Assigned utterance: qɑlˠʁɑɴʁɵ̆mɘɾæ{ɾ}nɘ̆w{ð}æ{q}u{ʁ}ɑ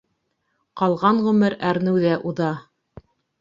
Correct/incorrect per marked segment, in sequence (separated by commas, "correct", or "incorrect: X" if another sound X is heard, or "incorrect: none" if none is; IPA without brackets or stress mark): correct, correct, incorrect: ʔ, incorrect: ð